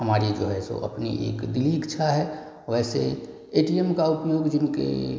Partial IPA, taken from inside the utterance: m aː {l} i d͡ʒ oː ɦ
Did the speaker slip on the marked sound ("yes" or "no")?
yes